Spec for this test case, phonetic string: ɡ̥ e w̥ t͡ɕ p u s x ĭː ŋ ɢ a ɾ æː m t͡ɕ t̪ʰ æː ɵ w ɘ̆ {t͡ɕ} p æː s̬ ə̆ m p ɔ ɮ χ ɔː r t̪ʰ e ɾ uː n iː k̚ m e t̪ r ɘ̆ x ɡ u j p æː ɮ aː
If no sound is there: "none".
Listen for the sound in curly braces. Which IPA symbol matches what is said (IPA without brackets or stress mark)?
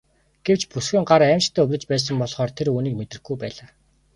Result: t͡ɕ